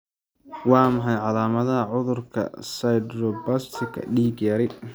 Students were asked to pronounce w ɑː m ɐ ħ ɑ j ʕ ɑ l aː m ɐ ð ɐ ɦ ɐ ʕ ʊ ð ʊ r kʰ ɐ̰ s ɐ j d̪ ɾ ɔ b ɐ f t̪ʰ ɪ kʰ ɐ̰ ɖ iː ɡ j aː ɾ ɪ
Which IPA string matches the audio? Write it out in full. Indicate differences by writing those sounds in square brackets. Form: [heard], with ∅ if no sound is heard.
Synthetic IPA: w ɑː m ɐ ħ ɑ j ʕ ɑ l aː m ɐ ð ɐ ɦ ɐ ʕ ʊ ð ʊ r kʰ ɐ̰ s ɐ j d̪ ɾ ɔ b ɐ [s] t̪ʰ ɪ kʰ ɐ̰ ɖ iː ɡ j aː ɾ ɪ